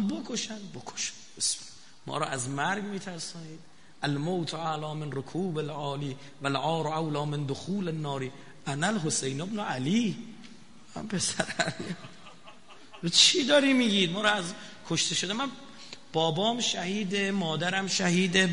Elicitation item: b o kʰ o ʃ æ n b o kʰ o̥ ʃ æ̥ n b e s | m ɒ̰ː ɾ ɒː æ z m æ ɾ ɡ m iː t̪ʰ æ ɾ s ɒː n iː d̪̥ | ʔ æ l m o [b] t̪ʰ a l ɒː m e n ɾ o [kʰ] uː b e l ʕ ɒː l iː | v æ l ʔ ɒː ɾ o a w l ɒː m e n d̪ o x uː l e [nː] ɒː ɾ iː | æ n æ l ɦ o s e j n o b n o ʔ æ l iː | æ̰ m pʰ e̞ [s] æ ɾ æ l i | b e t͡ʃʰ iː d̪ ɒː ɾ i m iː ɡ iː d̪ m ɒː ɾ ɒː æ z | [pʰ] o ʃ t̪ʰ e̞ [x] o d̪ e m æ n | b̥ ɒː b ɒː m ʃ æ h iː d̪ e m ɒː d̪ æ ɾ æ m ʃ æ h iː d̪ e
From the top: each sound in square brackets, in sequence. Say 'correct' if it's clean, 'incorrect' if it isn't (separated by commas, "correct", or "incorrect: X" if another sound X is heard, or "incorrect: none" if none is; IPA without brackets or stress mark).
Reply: incorrect: w, correct, correct, correct, incorrect: kʰ, incorrect: ʃ